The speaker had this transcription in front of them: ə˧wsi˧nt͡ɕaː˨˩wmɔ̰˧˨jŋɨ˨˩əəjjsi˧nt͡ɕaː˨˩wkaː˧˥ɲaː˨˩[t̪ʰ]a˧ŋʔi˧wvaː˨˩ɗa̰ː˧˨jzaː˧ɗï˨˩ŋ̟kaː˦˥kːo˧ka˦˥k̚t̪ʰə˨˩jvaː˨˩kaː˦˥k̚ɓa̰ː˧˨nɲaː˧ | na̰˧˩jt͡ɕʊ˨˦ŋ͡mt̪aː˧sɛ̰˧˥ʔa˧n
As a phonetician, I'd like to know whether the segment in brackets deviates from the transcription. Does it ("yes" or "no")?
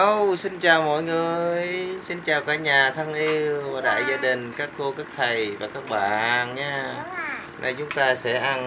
no